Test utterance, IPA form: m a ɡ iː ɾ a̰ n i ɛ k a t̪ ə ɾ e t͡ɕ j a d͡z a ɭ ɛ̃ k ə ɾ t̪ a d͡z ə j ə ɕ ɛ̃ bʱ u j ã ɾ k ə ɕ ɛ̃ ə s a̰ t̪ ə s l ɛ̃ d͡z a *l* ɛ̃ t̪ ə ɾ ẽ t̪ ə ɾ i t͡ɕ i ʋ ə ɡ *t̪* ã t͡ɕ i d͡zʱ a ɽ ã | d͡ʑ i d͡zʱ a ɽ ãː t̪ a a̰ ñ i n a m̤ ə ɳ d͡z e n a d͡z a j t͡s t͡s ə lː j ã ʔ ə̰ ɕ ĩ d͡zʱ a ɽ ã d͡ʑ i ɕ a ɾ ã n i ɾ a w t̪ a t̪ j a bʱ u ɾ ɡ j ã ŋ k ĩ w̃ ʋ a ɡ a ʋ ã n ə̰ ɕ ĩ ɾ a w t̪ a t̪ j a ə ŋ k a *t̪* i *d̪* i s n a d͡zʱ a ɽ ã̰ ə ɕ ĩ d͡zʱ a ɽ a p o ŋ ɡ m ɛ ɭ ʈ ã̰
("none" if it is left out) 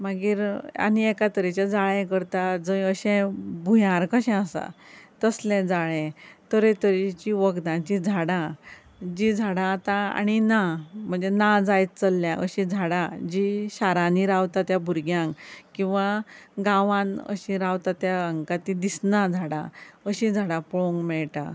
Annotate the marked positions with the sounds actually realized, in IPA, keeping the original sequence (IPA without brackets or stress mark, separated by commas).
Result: ɭ, d̪, t̪, d̪